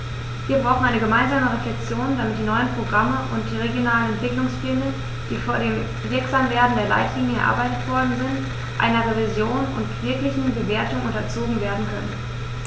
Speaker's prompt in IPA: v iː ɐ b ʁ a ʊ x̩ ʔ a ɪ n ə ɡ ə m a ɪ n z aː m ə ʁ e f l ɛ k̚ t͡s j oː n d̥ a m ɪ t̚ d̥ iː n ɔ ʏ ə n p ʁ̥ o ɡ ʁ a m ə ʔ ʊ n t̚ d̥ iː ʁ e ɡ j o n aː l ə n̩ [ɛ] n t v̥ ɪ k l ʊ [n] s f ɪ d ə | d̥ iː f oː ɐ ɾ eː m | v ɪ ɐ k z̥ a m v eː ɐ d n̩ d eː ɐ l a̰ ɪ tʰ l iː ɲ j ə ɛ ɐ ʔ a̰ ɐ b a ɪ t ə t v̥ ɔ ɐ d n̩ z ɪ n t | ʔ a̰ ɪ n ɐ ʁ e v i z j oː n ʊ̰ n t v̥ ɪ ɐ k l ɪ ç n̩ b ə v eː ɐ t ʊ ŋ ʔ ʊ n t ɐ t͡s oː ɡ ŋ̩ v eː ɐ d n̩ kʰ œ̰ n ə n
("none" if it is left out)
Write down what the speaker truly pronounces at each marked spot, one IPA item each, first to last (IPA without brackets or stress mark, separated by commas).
ɛ, ŋ